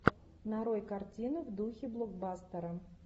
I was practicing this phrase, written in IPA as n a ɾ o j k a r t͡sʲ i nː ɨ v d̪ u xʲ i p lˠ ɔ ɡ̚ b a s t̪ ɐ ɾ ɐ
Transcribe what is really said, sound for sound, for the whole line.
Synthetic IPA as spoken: n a ɾ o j k a r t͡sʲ i n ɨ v d̪ u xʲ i b lˠ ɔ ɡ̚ b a s t̪ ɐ ɾ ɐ